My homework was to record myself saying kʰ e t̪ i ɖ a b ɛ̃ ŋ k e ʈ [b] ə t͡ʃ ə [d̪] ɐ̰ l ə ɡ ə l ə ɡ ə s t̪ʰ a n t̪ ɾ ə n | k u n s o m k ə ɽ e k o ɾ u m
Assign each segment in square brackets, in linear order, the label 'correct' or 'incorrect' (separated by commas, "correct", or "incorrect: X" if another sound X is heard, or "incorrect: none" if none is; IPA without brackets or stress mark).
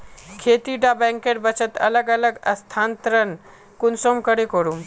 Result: correct, incorrect: t̪